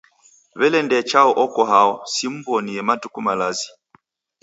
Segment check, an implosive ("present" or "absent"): absent